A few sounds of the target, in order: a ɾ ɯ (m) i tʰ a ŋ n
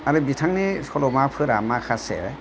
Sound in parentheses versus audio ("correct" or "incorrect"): incorrect